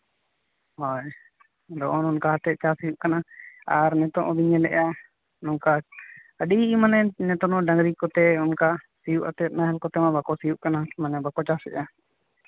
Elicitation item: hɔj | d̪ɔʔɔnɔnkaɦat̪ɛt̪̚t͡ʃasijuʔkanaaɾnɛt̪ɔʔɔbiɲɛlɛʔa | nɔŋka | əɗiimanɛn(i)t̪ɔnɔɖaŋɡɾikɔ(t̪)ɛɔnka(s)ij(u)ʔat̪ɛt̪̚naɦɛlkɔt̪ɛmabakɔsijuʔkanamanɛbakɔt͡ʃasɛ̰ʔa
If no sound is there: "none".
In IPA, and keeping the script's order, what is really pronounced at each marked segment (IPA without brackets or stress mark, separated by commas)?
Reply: ɛ, t̪, s, u